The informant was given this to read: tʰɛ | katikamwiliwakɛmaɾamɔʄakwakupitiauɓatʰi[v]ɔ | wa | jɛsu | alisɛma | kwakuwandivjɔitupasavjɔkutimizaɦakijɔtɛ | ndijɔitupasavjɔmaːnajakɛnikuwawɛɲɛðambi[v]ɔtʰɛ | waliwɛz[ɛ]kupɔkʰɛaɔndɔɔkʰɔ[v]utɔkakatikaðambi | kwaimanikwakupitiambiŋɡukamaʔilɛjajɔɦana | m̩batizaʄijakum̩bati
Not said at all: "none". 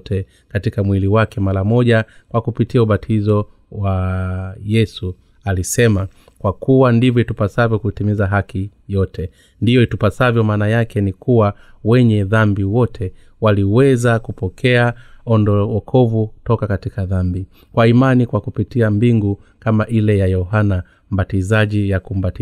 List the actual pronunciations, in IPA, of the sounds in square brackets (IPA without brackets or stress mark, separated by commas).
z, w, a, v